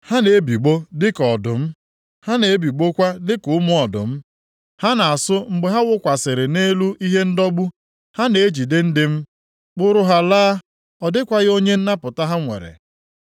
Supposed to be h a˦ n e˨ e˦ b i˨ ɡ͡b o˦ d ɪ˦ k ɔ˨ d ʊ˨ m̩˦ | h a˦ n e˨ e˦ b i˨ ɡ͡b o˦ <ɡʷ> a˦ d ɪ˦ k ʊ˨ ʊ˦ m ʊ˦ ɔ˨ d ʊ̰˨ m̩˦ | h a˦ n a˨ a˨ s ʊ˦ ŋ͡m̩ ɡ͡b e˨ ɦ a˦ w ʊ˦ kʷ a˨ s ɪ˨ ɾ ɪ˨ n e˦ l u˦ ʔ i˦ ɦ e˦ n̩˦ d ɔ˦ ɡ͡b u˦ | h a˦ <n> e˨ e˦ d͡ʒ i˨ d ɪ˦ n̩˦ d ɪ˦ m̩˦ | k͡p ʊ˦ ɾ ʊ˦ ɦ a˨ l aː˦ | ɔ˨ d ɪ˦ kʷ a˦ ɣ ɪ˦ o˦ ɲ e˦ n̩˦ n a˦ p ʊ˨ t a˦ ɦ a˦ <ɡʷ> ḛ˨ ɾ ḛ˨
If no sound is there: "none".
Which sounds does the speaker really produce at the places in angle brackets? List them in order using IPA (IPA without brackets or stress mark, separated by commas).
kʷ, n, ŋʷ